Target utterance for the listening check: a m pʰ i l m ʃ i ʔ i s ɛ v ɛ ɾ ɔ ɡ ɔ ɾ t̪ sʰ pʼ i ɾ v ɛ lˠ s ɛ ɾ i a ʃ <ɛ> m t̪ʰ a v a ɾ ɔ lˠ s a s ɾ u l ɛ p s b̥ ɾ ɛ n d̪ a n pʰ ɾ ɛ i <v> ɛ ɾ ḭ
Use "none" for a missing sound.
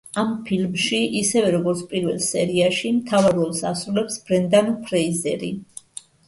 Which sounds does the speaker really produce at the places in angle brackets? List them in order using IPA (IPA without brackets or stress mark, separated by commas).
i, z